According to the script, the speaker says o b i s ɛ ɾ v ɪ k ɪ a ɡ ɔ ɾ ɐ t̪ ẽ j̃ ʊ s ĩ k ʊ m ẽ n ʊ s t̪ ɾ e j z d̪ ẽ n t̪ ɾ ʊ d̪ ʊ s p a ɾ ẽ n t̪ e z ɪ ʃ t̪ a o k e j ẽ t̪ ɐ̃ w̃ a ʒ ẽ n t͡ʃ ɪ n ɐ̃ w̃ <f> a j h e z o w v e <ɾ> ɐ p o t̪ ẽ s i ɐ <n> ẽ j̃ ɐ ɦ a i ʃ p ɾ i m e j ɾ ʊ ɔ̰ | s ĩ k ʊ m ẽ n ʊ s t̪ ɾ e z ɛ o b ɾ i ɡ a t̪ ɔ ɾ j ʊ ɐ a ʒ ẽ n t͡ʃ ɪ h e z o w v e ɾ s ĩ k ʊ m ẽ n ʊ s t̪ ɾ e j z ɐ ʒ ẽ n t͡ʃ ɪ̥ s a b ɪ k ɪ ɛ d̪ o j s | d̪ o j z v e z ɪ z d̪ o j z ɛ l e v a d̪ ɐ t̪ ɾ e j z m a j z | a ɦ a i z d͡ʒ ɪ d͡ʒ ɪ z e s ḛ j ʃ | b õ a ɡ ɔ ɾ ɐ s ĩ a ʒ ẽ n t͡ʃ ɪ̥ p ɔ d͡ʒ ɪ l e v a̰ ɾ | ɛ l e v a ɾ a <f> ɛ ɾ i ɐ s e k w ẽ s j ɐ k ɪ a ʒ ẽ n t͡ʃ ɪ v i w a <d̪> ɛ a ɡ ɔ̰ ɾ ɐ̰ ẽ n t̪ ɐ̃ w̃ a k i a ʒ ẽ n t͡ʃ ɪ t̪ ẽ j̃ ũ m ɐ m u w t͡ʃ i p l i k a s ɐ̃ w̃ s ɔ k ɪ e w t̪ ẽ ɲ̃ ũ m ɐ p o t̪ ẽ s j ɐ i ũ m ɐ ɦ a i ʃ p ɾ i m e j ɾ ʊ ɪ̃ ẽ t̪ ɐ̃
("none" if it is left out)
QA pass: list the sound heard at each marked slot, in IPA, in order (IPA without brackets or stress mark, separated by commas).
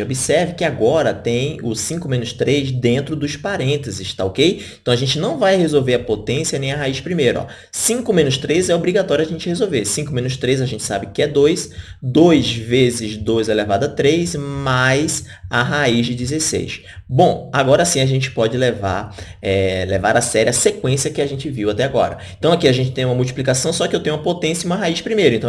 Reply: v, ɾ, n, s, t̪